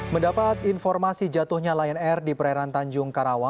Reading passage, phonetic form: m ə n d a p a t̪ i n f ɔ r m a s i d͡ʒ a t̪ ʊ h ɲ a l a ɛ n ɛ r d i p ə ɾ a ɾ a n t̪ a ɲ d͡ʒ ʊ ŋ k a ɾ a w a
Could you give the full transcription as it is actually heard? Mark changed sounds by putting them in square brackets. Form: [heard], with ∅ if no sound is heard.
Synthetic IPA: m ə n d a p a t̪ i n f ɔ r m a s i d͡ʒ a t̪ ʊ h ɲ a l a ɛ n ɛ r d i p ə ɾ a ɾ a n t̪ a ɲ d͡ʒ ʊ ŋ k a ɾ a w a